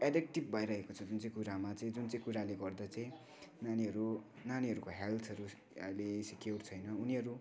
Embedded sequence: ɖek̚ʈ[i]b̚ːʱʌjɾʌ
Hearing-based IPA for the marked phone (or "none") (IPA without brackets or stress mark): i